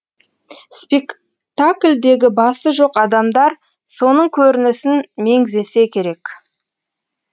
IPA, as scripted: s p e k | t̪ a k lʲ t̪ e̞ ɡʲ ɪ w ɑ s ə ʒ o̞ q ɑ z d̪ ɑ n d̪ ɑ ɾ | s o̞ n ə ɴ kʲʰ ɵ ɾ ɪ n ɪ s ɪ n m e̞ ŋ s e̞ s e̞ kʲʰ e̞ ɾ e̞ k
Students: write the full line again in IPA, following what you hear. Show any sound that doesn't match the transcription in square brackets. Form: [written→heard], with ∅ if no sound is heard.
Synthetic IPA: s p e k | t̪ a k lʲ [t̪→d̪] e̞ ɡʲ ɪ [w→b] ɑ s ə ʒ o̞ q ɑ [z→∅] d̪ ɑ [n→m] d̪ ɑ ɾ | s o̞ n ə ɴ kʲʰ ɵ ɾ ɪ n ɪ s ɪ n m e̞ ŋ [s→z] e̞ s e̞ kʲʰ e̞ ɾ e̞ k

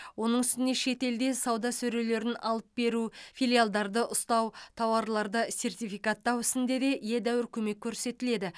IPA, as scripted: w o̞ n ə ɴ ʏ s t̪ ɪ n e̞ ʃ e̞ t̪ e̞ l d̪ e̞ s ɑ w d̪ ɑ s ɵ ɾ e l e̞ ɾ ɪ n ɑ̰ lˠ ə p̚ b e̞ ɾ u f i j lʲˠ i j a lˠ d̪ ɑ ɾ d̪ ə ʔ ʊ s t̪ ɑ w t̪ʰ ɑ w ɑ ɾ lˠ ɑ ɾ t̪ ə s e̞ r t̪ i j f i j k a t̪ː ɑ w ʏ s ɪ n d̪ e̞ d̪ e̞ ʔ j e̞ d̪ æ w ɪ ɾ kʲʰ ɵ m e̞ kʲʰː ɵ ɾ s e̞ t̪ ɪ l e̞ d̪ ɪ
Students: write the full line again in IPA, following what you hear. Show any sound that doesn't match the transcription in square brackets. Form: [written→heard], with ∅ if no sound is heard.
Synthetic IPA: w o̞ n ə ɴ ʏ s t̪ ɪ n e̞ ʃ e̞ t̪ e̞ l d̪ e̞ s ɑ w d̪ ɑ s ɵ ɾ e l e̞ ɾ ɪ n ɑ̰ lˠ ə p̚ b e̞ ɾ u f i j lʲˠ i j a lˠ d̪ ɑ ɾ d̪ ə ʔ ʊ s t̪ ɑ w t̪ʰ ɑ w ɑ ɾ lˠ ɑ ɾ [t̪→d̪] ə s e̞ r t̪ i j f i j k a t̪ː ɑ w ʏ s ɪ n d̪ e̞ d̪ e̞ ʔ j e̞ d̪ æ w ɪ ɾ kʲʰ ɵ m e̞ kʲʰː ɵ ɾ s e̞ t̪ ɪ l e̞ d̪ ɪ

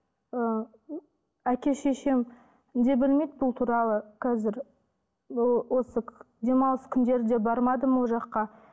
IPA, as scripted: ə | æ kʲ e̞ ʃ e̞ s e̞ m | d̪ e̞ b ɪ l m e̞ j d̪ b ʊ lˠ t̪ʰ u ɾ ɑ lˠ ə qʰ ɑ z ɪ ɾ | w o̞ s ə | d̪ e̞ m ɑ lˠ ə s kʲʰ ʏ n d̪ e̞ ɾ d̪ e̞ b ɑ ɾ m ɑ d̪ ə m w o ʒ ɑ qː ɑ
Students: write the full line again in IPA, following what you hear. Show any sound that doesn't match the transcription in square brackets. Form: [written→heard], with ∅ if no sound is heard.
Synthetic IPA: ə | æ kʲ e̞ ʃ e̞ [s→ʃ] e̞ m | d̪ e̞ b ɪ l m e̞ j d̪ b ʊ lˠ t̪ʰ u ɾ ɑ lˠ ə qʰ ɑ z ɪ ɾ | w o̞ s ə | d̪ e̞ m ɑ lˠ ə s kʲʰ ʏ n d̪ e̞ ɾ d̪ e̞ b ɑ ɾ m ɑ d̪ ə m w o ʒ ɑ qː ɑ

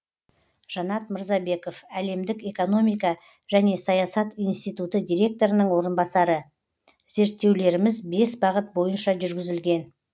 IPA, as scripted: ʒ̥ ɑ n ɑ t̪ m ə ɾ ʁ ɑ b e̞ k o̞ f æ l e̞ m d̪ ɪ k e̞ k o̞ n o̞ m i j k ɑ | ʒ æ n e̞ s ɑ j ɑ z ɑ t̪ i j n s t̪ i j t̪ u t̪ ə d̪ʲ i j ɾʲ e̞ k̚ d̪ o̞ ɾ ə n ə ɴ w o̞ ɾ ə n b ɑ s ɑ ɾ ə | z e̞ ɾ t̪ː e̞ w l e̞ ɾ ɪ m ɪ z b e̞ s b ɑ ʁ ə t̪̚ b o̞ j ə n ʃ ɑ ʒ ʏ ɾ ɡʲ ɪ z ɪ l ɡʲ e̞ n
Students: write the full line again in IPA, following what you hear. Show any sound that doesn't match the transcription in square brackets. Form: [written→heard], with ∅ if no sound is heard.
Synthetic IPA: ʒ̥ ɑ n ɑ t̪ m ə ɾ [ʁ→z] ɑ b e̞ k o̞ f æ l e̞ m d̪ ɪ k e̞ k o̞ n o̞ m i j k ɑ | ʒ æ n e̞ s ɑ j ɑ [z→s] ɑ t̪ i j n s t̪ i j t̪ u t̪ ə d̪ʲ i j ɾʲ e̞ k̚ [d̪→t̪] o̞ ɾ ə n ə ɴ w o̞ ɾ ə n b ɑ s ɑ ɾ ə | z e̞ ɾ t̪ː e̞ w l e̞ ɾ ɪ m ɪ z b e̞ s b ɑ ʁ ə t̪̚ b o̞ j ə n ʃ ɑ ʒ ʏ ɾ ɡʲ ɪ z ɪ l ɡʲ e̞ n

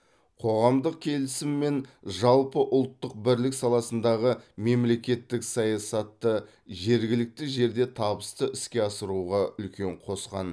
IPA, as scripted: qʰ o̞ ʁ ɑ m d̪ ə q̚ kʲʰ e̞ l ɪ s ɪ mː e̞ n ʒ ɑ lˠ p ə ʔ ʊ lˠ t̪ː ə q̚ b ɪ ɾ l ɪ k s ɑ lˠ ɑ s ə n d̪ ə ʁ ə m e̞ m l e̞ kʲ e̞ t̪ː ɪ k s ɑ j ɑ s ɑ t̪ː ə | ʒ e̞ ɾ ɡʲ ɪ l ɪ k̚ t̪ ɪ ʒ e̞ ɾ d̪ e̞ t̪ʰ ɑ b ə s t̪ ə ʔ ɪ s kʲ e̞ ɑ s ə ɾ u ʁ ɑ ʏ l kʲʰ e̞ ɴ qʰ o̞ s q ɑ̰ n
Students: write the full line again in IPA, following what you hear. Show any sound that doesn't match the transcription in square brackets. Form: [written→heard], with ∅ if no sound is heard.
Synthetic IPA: qʰ o̞ ʁ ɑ m d̪ ə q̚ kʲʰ e̞ l ɪ s ɪ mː e̞ n ʒ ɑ lˠ p ə ʔ ʊ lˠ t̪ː ə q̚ b ɪ ɾ l ɪ k s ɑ lˠ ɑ s ə n d̪ [ə→ɑ] ʁ ə m e̞ m l e̞ kʲ e̞ t̪ː ɪ k s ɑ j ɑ s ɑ t̪ː ə | ʒ e̞ ɾ ɡʲ ɪ l ɪ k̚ t̪ ɪ ʒ e̞ ɾ d̪ e̞ t̪ʰ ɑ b ə s t̪ ə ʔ ɪ s kʲ e̞ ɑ s ə ɾ u ʁ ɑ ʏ l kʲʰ e̞ ɴ qʰ o̞ s q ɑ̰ n

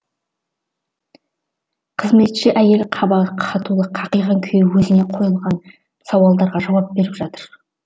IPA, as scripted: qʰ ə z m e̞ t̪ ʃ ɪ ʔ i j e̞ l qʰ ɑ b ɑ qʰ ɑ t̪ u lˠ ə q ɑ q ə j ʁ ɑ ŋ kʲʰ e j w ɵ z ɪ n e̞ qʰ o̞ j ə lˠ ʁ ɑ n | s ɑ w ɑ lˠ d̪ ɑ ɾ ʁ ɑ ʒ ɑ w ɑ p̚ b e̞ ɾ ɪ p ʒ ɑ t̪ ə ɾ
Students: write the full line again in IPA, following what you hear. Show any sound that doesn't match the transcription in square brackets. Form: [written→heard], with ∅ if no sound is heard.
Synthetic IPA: qʰ ə z m e̞ t̪ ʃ ɪ ʔ [i→æ] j e̞ l qʰ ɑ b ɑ qʰ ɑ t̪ u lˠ ə [q→qʰ] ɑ q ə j ʁ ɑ ŋ kʲʰ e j w ɵ z ɪ n e̞ qʰ o̞ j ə lˠ ʁ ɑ n | s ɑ w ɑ lˠ d̪ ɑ ɾ ʁ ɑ ʒ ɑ w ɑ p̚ b e̞ ɾ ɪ p ʒ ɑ t̪ ə ɾ

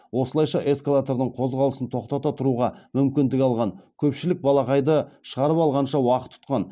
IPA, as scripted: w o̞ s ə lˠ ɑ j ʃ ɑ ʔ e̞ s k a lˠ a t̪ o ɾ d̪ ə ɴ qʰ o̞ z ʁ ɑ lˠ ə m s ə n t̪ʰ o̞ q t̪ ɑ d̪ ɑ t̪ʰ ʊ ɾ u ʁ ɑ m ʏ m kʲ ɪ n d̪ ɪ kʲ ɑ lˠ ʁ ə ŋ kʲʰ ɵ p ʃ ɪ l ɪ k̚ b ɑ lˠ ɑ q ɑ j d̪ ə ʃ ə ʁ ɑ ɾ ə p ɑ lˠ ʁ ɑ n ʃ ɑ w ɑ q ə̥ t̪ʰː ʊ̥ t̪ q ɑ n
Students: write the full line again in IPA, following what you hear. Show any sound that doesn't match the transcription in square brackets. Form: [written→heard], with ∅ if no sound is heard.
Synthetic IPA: w o̞ s ə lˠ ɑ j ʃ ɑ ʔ e̞ s k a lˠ a t̪ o ɾ d̪ ə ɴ qʰ o̞ z ʁ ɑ lˠ ə [m→∅] s ə n t̪ʰ o̞ q t̪ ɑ [d̪→t̪] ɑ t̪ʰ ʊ ɾ u ʁ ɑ m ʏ m kʲ ɪ n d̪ ɪ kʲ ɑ lˠ ʁ [ə→ɑ] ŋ kʲʰ ɵ p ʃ ɪ l ɪ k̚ b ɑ lˠ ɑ q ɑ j d̪ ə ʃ ə ʁ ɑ ɾ ə p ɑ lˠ ʁ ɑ n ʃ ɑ w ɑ q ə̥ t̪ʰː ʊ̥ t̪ q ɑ n

